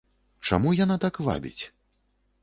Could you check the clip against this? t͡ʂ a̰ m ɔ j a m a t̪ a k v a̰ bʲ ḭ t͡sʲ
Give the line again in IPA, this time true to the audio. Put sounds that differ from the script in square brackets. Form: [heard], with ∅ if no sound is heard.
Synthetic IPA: t͡ʂ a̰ m [u] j a [n] a t̪ a k v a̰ bʲ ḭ t͡sʲ